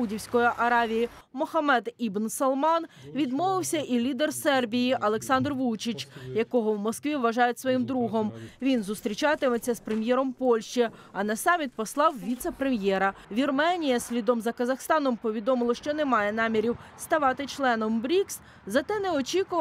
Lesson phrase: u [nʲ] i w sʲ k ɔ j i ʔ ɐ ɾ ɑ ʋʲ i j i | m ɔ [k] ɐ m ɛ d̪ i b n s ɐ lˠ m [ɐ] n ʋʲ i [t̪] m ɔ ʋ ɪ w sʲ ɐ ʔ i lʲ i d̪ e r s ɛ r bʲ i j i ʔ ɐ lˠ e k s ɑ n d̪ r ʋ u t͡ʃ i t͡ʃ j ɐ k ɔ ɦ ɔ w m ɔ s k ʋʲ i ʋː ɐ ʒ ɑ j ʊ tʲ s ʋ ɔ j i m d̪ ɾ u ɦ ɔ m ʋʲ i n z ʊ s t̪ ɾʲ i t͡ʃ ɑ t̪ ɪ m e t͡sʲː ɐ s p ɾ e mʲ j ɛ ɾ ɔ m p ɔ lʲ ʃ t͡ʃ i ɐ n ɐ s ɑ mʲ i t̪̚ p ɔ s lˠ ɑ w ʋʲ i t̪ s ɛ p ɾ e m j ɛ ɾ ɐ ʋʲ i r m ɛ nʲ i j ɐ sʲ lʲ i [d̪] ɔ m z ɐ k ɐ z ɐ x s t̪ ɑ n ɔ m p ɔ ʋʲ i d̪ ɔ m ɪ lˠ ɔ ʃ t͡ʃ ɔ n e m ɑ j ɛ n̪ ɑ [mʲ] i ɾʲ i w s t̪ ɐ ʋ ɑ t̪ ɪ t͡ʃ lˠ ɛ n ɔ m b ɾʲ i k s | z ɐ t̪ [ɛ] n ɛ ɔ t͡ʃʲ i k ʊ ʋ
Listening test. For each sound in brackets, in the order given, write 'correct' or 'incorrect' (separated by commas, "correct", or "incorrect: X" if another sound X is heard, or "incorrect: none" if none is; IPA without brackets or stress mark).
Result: incorrect: dʲ, incorrect: x, incorrect: ɑ, incorrect: d̪, correct, correct, correct